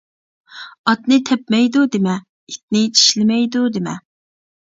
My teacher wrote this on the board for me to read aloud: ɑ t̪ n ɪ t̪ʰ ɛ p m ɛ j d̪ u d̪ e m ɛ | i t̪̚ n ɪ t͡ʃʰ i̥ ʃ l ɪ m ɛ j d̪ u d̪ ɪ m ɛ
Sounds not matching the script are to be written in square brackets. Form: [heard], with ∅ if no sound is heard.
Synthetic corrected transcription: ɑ t̪ n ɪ t̪ʰ ɛ p m ɛ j d̪ u d̪ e m ɛ | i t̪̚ n ɪ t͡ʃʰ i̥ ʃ l ɪ m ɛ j d̪ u d̪ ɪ m ɛ